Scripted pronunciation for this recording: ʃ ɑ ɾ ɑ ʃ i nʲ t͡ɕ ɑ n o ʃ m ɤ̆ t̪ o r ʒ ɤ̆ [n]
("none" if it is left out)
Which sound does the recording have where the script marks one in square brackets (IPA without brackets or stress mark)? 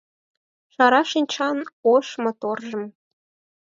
m